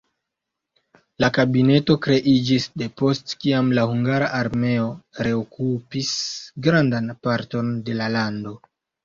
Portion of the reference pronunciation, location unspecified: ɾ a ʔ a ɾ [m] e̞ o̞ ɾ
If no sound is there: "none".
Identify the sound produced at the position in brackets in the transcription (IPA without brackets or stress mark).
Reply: m